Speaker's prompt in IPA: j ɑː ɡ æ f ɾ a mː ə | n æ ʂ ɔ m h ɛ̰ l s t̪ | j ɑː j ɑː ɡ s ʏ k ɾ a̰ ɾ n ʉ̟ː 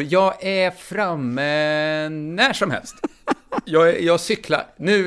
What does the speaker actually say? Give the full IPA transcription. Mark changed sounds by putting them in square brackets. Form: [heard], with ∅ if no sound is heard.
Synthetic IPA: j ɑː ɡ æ f ɾ a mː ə | n æ ʂ ɔ m h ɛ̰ l s t̪ | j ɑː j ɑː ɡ s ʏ k [l] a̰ ɾ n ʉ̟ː